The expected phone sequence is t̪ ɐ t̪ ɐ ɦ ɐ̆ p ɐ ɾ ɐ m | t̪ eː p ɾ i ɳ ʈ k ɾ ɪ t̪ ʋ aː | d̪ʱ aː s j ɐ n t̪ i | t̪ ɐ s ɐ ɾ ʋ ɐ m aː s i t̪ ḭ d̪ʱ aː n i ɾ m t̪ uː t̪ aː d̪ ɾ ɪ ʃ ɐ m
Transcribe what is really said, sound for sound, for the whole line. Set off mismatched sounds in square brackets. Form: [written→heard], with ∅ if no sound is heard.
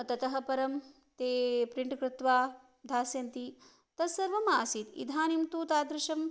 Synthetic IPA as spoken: t̪ ɐ t̪ ɐ ɦ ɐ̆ p ɐ ɾ ɐ m | t̪ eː p ɾ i ɳ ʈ k ɾ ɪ t̪ ʋ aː | d̪ʱ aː s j ɐ n t̪ i | t̪ ɐ s ɐ ɾ ʋ ɐ m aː s i t̪ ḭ d̪ʱ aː n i [ɾ→∅] m t̪ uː t̪ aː d̪ ɾ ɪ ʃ ɐ m